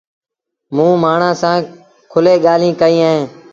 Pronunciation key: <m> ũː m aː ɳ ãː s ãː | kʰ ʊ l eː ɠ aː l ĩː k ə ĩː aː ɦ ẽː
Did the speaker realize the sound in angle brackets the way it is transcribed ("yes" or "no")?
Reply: yes